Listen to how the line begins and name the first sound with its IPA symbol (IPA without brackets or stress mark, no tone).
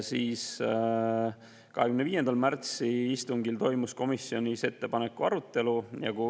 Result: s